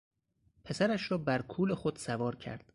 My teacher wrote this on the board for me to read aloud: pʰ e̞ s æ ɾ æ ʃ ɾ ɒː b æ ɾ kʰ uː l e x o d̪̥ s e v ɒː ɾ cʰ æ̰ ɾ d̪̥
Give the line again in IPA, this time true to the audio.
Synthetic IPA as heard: pʰ e̞ s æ ɾ æ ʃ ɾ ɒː b æ ɾ kʰ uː l e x o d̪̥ s æ v ɒː ɾ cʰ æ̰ ɾ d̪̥